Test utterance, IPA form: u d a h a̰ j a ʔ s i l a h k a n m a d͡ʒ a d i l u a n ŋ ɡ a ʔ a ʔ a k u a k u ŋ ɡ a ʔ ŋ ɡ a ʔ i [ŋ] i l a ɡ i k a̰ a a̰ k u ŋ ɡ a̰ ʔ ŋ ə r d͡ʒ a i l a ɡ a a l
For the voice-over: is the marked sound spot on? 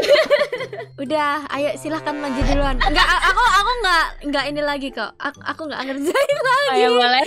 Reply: no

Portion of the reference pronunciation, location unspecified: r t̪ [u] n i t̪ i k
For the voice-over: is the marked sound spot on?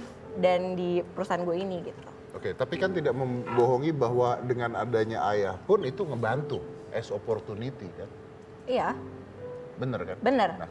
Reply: yes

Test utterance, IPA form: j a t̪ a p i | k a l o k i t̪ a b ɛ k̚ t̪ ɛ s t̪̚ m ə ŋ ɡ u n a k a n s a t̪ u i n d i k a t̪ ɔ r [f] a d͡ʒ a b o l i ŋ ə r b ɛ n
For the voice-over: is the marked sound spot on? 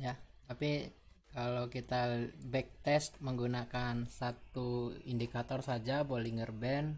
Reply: no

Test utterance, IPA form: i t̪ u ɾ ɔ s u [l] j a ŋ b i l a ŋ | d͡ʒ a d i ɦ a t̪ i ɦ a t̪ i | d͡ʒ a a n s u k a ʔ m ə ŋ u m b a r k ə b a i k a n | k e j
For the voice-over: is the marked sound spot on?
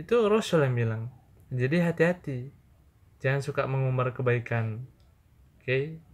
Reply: yes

